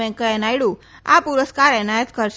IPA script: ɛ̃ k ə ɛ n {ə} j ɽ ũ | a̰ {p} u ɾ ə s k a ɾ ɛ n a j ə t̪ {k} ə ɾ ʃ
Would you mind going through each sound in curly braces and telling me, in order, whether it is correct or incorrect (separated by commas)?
incorrect, correct, correct